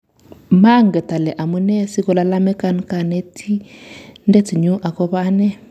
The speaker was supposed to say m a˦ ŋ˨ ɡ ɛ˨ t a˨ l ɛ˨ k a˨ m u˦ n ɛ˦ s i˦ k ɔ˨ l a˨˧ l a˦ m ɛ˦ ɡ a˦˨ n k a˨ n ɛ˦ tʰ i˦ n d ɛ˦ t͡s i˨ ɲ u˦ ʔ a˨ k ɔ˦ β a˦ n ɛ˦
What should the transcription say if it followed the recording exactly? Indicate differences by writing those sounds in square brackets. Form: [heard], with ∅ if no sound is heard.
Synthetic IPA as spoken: m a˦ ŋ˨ ɡ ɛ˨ t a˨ l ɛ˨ [ʔ] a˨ m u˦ n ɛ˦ s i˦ k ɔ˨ l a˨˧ l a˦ m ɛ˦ [k] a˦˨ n k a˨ n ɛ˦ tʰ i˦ n d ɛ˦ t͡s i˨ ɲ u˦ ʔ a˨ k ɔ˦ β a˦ n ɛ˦